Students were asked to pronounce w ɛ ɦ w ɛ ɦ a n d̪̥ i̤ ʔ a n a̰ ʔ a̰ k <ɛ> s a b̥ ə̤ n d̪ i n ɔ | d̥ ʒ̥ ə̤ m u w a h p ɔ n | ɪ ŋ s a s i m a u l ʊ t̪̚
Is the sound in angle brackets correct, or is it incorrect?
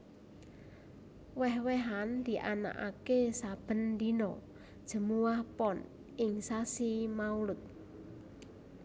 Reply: incorrect: e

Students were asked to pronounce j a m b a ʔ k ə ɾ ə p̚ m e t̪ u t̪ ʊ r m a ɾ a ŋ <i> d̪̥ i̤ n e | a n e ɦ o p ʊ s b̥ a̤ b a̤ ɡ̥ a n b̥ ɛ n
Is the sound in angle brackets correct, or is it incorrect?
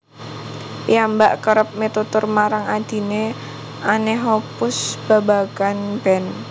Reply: incorrect: a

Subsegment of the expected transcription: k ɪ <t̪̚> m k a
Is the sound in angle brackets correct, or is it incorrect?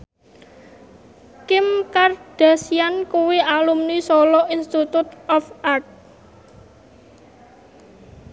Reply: incorrect: none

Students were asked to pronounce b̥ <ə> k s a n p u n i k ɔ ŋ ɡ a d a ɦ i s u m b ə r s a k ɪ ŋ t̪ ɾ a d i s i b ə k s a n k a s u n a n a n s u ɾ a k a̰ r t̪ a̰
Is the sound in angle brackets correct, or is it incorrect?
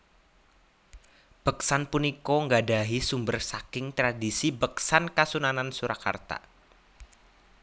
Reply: correct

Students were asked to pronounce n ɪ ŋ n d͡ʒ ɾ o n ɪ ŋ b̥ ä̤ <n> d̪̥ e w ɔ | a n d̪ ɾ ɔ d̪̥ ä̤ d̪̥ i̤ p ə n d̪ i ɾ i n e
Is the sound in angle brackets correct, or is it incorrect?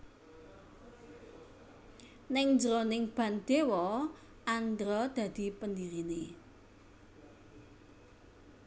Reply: correct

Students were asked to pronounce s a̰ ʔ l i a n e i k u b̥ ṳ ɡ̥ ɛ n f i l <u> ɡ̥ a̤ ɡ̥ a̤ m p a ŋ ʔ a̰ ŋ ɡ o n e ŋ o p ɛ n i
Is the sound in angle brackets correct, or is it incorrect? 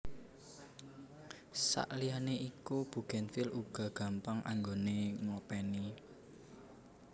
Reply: correct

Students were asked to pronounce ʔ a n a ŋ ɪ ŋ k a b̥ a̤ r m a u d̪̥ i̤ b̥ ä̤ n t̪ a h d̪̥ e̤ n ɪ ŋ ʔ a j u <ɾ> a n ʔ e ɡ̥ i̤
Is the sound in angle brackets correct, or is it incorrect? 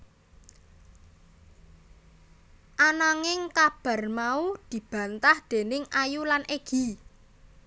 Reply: incorrect: l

